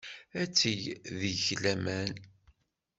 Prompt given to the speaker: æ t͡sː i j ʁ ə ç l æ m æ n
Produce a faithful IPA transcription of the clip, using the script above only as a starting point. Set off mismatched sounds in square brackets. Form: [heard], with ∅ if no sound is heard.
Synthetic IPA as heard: æ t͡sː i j [ð] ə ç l æ m æ n